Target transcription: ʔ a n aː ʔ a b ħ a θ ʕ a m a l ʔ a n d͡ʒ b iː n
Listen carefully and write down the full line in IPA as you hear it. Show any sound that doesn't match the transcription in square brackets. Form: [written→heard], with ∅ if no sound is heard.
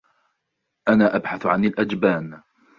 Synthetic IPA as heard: ʔ a n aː ʔ a b ħ a θ ʕ a [m→n] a l ʔ a [n→∅] d͡ʒ b [iː→aː] n